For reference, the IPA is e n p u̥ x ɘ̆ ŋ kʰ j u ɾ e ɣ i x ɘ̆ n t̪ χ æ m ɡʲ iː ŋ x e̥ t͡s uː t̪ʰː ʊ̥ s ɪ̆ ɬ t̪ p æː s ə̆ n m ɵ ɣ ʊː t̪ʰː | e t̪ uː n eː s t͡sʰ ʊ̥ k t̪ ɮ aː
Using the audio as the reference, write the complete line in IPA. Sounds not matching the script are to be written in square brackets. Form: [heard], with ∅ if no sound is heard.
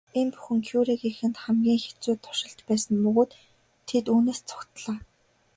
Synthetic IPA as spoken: e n p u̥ x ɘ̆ ŋ kʰ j u ɾ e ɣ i x ɘ̆ n t̪ χ æ m ɡʲ iː ŋ x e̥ t͡s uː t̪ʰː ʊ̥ [ʃ] ɪ̆ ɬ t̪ p æː s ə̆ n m ɵ ɣ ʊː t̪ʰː | e t̪ uː n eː s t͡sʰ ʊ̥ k t̪ ɮ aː